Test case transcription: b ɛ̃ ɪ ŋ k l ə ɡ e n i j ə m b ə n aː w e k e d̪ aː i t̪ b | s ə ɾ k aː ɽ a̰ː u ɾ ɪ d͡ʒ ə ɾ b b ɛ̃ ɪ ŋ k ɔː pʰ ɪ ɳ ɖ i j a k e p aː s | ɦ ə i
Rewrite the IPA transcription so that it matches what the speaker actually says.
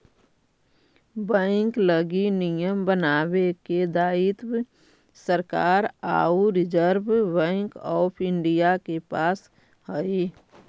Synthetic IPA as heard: b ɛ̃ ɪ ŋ k l ə ɡ i n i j ə m b ə n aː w e k e d̪ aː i t̪ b | s ə ɾ k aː ɾ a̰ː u ɾ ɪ d͡ʒ ə ɾ b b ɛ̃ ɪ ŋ k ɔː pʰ ɪ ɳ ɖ i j a k e p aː s | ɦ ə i